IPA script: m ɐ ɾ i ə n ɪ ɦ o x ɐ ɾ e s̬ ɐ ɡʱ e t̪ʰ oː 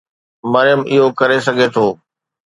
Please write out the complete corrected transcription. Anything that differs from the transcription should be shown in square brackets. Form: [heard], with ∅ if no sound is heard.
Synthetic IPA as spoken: m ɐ ɾ [j] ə [m] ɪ ɦ o [k] ɐ ɾ e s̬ ɐ ɡʱ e t̪ʰ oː